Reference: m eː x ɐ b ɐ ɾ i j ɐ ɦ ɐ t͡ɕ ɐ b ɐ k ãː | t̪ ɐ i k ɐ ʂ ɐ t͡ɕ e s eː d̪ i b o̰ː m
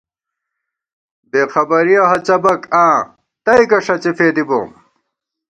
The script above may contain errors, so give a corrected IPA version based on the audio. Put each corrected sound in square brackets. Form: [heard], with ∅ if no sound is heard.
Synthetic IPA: [b] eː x ɐ b ɐ ɾ i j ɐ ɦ ɐ t͡ɕ ɐ b ɐ k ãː | t̪ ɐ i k ɐ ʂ ɐ t͡ɕ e [f] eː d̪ i b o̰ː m